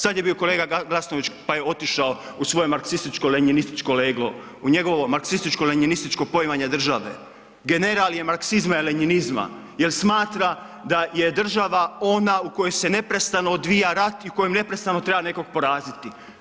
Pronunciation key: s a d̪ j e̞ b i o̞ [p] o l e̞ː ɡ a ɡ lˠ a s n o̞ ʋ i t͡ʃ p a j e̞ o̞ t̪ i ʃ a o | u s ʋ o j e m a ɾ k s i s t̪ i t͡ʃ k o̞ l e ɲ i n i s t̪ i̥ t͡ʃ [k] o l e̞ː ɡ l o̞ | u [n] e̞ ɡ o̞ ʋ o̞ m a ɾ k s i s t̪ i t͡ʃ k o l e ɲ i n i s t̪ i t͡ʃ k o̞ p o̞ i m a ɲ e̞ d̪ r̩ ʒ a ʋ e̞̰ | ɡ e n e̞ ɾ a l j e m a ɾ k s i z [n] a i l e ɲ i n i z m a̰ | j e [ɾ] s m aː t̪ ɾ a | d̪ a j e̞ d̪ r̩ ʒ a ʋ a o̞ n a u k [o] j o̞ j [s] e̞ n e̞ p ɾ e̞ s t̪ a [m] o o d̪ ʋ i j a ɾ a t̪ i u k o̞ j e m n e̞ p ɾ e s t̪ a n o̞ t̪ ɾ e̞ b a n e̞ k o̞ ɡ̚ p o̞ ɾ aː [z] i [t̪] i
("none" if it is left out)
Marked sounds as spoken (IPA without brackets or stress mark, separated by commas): k, k, ɲ, m, l, o, s, n, z, t̪